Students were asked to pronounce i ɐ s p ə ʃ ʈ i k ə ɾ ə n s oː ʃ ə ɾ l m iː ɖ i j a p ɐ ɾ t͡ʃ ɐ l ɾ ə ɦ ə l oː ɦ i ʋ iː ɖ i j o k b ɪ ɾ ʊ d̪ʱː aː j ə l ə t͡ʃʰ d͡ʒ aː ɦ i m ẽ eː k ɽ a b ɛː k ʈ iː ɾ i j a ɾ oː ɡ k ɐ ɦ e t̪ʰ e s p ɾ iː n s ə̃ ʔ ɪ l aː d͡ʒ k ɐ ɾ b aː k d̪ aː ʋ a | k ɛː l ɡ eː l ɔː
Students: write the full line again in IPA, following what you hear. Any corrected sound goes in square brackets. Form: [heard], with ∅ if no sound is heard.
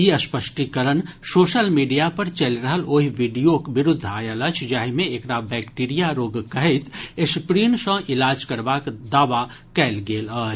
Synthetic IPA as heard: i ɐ s p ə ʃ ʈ i k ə ɾ ə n s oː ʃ ə [∅] l m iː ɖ i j a p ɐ ɾ t͡ʃ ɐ l ɾ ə ɦ ə l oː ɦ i ʋ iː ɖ i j o k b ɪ ɾ ʊ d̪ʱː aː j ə l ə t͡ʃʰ d͡ʒ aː ɦ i m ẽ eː k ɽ a b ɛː k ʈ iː ɾ i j a ɾ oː ɡ k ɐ ɦ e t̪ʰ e s p ɾ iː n s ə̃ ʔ ɪ l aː d͡ʒ k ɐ ɾ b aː k d̪ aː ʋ a | k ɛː l ɡ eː l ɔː